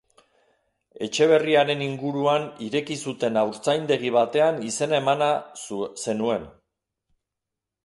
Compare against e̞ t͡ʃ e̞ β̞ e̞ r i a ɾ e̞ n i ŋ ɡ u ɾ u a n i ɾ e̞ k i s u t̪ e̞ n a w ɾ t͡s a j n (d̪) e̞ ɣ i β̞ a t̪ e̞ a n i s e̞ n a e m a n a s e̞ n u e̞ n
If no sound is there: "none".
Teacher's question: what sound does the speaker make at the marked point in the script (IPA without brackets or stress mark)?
d̪